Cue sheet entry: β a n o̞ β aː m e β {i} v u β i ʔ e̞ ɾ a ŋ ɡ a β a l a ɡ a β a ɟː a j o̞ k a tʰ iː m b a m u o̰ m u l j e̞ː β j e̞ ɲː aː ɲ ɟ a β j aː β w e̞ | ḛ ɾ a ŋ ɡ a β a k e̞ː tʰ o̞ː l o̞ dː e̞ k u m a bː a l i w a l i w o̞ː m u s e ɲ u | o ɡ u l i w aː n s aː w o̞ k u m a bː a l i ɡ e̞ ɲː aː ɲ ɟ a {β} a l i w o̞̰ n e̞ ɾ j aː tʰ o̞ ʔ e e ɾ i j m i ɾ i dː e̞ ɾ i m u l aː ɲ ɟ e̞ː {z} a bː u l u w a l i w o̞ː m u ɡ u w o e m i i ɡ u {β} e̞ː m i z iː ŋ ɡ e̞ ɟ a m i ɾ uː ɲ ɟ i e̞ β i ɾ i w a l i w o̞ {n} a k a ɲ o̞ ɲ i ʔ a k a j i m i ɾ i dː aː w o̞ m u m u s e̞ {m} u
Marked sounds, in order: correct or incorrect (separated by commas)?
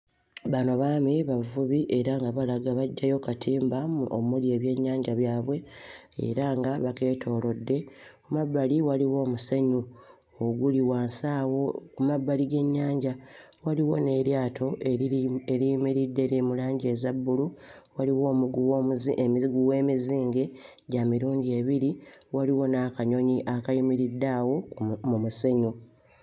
incorrect, incorrect, correct, incorrect, correct, incorrect